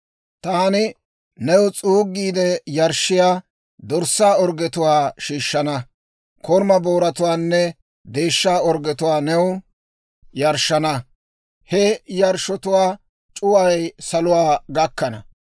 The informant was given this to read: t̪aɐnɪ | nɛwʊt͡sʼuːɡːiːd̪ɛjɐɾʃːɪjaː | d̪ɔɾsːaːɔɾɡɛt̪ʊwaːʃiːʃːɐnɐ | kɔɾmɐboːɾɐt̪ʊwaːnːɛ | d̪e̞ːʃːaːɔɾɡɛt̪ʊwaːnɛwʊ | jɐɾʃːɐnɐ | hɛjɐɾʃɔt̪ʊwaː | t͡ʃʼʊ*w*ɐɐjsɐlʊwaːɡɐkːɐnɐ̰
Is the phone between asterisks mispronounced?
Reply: no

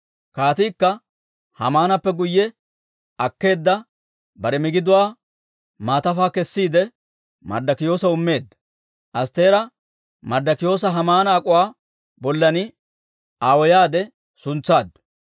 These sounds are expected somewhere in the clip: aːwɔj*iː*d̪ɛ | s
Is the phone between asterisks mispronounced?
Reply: yes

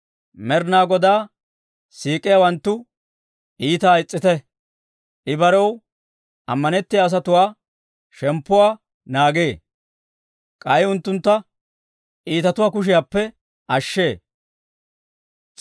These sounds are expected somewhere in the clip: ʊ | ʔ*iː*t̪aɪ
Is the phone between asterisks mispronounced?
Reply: no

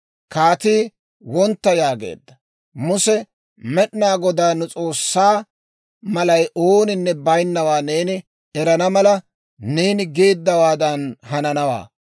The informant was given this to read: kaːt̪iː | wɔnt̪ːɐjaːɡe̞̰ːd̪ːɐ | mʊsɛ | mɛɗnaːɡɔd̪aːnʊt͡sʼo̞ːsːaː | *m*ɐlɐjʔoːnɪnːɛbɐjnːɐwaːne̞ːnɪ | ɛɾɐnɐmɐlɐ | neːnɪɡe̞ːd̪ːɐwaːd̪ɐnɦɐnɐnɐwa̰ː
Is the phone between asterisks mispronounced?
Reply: no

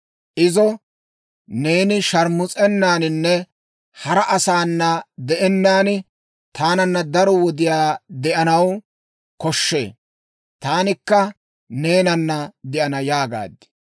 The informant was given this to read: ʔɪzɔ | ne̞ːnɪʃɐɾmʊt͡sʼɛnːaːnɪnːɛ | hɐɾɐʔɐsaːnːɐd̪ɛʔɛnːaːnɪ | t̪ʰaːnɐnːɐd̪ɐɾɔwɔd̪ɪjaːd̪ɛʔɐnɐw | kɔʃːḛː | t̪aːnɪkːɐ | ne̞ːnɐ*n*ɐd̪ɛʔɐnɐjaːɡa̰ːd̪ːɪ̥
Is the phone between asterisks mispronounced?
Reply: yes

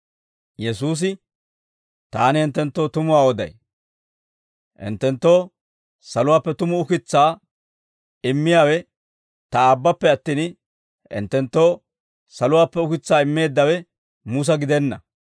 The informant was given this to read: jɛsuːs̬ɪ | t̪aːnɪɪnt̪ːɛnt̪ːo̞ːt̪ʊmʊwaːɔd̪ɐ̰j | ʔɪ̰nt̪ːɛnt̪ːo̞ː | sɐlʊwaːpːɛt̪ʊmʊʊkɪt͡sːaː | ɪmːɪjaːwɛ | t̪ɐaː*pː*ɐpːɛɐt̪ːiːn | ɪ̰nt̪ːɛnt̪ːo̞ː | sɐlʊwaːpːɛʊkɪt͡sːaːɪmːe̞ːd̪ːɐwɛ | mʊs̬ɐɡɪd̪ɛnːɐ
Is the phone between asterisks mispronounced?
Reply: yes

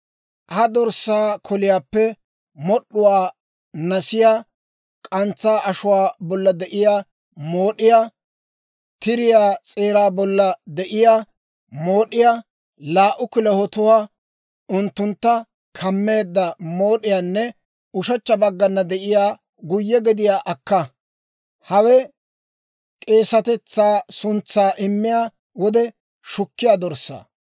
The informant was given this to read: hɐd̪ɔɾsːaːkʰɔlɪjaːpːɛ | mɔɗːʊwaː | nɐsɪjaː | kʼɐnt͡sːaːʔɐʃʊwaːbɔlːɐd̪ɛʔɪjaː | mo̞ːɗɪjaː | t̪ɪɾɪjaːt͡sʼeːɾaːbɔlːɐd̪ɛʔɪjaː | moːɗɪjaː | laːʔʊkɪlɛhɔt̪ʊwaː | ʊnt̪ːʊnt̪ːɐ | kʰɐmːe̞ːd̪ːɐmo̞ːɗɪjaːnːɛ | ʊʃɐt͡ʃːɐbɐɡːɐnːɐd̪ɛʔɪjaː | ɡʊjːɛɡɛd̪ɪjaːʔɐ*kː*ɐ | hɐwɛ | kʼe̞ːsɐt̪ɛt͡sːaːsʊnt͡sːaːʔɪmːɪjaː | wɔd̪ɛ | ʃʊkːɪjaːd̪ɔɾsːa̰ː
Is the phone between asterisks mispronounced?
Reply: no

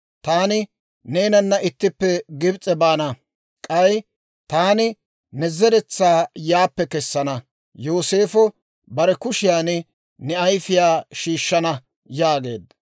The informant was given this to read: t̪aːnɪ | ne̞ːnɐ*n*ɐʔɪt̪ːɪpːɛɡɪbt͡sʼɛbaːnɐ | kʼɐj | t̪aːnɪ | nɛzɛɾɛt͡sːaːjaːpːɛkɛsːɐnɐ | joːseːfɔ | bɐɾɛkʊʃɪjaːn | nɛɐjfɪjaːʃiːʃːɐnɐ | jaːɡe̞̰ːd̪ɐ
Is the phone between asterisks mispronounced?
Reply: yes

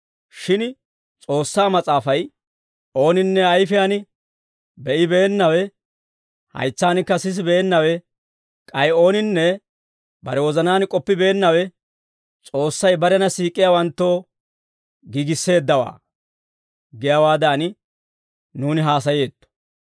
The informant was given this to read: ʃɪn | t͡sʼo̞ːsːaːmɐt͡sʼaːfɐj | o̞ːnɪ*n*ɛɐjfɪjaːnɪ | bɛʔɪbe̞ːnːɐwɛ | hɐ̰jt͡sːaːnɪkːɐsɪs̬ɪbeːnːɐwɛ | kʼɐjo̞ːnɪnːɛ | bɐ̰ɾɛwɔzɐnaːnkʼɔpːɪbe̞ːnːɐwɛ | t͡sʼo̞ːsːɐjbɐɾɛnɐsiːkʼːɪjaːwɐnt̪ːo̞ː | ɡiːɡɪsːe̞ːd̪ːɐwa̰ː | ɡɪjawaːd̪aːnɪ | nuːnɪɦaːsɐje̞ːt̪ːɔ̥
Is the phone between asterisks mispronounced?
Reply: yes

